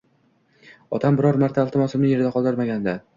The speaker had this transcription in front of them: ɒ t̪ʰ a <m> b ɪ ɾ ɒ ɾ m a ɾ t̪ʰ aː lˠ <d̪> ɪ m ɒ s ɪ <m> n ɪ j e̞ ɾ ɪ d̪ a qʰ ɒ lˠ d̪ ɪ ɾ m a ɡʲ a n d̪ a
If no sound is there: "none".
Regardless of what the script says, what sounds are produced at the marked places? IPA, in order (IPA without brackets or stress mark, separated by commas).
m, t̪, m